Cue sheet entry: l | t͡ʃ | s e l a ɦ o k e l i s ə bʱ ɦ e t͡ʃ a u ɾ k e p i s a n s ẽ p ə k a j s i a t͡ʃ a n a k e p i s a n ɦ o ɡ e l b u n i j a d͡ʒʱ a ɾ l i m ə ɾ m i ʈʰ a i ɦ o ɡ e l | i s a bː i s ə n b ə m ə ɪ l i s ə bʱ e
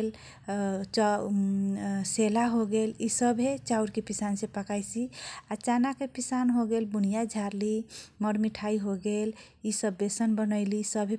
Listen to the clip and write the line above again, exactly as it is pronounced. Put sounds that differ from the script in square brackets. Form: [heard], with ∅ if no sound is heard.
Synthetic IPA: l | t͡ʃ | s e l a ɦ o [ɡ] e l i s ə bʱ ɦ e t͡ʃ a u ɾ k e p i s a n s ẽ p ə k a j s i a t͡ʃ a n a k e p i s a n ɦ o ɡ e l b u n i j a d͡ʒʱ a ɾ l i m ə ɾ m i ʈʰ a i ɦ o ɡ e l | i s [ə] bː [e] s ə n b ə [n] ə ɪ l i s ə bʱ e

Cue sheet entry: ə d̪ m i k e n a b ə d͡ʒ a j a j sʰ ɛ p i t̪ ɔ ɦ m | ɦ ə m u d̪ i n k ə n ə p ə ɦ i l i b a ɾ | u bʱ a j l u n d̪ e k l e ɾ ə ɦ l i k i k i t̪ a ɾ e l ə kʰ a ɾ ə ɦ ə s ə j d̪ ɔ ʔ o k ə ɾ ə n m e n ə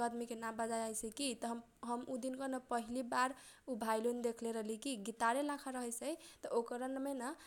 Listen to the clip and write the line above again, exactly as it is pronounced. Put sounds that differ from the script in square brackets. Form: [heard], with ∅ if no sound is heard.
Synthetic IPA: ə d̪ m i k e n a b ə d͡ʒ a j a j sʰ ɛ [k] i t̪ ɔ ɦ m | ɦ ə m u d̪ i n k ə n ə p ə ɦ i l i b a ɾ | u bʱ a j l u n d̪ e [kʰ] l e ɾ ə ɦ l i k i [ɡ] i t̪ a ɾ e l [a] kʰ a ɾ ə ɦ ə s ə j [t̪] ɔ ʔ o k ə ɾ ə n m e n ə

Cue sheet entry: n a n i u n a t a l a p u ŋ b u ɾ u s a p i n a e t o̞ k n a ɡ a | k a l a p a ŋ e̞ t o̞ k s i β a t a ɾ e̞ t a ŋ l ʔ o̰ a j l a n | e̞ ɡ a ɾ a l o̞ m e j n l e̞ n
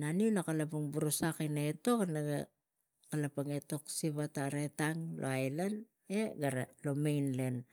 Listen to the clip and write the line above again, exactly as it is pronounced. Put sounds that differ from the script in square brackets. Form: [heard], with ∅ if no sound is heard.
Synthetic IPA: n a n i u n a [k] a l a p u ŋ b u ɾ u s a [k] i n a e t o̞ k n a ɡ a | k a l a p a ŋ e̞ t o̞ k s i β a t a ɾ e̞ t a ŋ l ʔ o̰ a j l a n | e̞ ɡ a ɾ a l o̞ m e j n l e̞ n

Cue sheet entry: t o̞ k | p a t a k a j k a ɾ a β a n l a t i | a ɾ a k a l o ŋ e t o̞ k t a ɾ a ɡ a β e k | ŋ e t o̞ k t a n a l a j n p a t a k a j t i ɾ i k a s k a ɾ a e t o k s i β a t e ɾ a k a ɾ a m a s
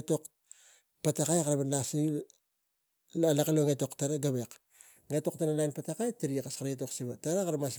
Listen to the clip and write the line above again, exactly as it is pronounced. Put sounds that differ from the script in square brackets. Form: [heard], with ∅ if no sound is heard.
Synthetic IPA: t o̞ k | p a t a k a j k a ɾ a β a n l a [s] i | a [l] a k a l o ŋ e t o̞ k t a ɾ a ɡ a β e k | ŋ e t o̞ k t a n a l a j n p a t a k a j t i ɾ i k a s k a ɾ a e t o k s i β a t [a] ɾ a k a ɾ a m a s

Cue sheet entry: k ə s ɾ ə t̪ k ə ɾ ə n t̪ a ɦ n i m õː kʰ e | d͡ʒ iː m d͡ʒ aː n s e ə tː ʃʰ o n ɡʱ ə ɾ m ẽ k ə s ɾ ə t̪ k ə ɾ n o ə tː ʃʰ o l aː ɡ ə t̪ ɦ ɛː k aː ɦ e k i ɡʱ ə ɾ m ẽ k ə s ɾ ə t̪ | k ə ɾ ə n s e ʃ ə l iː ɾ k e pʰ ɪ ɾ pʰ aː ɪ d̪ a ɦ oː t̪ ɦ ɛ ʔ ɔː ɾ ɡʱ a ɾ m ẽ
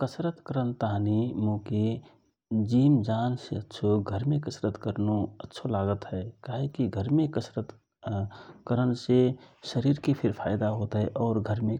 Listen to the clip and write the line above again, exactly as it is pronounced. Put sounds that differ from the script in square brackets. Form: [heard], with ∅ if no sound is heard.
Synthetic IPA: k ə s ɾ ə t̪ k ə ɾ ə n t̪ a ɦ n i m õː [k] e | d͡ʒ iː m d͡ʒ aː n s e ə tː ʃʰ o [∅] ɡʱ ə ɾ m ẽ k ə s ɾ ə t̪ k ə ɾ n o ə tː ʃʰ o l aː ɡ ə t̪ ɦ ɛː k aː ɦ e k i ɡʱ ə ɾ m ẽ k ə s ɾ ə t̪ | k ə ɾ ə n s e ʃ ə [ɾ] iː ɾ k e pʰ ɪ ɾ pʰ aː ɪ d̪ a ɦ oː t̪ ɦ ɛ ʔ ɔː ɾ ɡʱ [ə] ɾ m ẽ

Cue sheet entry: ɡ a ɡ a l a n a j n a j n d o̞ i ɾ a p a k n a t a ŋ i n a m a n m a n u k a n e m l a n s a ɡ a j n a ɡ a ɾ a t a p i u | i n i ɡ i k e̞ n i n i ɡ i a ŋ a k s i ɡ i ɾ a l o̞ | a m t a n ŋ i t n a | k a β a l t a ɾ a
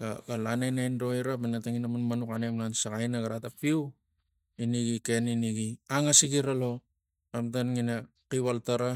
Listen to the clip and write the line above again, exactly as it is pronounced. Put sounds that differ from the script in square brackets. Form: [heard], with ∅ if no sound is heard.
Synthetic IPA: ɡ a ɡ a l a n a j n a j n d o̞ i ɾ a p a [∅] n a t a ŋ i n a m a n m a n u k a n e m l a n s a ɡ a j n a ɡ a ɾ a t a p i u | i n i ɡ i k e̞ n i n i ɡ i a ŋ a [∅] s i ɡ i ɾ a l o̞ | a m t a n ŋ i [∅] n a | k [i] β a l t a ɾ a

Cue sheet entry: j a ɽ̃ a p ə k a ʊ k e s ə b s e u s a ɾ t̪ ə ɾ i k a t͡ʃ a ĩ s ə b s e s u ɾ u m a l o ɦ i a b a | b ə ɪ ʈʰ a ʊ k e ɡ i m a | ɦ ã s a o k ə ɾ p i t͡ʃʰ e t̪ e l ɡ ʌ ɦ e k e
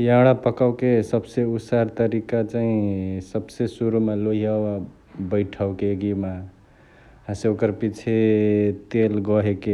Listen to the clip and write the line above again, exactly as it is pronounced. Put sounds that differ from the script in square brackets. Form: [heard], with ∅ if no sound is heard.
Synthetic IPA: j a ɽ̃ a p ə k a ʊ k e s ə b s e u s a ɾ t̪ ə ɾ i k a t͡ʃ a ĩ s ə b s e s u ɾ u m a l o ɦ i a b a | b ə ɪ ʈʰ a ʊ k e ɡ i m a | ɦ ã s [e] o k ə ɾ p i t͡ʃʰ e t̪ e l ɡ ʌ ɦ e k e

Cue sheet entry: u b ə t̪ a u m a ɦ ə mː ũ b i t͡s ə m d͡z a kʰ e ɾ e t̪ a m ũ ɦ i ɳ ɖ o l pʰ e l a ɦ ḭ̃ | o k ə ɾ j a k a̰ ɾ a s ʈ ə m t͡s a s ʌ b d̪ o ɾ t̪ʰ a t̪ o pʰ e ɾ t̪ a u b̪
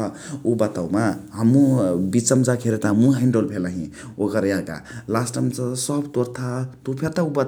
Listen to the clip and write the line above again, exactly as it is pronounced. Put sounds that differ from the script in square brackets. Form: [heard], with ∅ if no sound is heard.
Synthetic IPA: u b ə t̪ a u m a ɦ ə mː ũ b i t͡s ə m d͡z a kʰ e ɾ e t̪ a m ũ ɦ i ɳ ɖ o l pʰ e l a ɦ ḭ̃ | o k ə ɾ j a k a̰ [l] a s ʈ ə m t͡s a s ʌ b [t̪] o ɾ t̪ʰ a t̪ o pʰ e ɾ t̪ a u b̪

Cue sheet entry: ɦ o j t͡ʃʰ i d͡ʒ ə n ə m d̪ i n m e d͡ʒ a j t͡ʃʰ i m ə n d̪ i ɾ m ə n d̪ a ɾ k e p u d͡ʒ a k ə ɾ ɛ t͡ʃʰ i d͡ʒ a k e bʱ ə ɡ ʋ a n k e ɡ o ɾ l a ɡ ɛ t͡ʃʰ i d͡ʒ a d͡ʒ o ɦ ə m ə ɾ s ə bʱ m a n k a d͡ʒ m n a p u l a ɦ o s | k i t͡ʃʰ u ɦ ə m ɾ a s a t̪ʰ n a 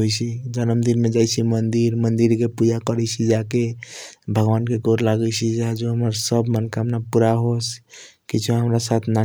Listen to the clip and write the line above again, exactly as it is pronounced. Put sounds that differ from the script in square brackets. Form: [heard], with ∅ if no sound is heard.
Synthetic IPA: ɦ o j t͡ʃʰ i d͡ʒ ə n ə m d̪ i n m e d͡ʒ a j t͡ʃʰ i m ə n d̪ i ɾ m ə n d̪ [i] ɾ k e p u d͡ʒ a k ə ɾ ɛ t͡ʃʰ i d͡ʒ a k e bʱ ə ɡ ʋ a n k e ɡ o ɾ l a ɡ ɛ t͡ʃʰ i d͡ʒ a d͡ʒ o ɦ ə m ə ɾ s ə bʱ m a n k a [∅] m n a p u [ɾ] a ɦ o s | k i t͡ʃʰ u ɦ ə m ɾ a s a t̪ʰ n a

